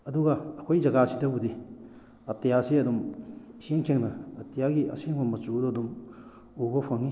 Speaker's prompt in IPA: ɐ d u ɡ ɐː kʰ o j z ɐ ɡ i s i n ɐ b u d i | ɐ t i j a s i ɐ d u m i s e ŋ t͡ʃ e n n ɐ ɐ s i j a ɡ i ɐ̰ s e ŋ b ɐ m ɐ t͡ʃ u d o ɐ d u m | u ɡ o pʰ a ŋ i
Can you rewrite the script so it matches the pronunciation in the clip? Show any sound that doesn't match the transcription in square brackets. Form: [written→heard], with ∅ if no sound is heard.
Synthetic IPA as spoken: ɐ d u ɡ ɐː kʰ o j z ɐ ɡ [i→a] s i [n→d] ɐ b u d i | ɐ t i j a s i ɐ d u m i s e ŋ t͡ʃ e [n→ŋ] n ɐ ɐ [s→t] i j a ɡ i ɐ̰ s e ŋ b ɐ m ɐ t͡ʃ u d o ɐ d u m | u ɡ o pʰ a ŋ i